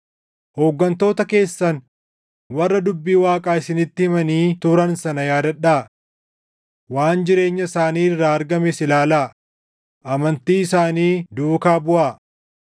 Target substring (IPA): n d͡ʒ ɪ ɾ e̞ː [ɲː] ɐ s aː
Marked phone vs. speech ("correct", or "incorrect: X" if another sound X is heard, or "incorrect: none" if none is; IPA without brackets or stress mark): correct